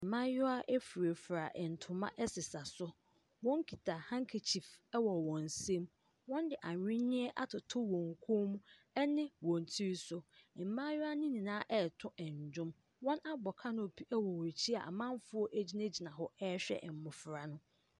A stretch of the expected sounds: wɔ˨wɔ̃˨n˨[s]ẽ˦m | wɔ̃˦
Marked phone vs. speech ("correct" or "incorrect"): correct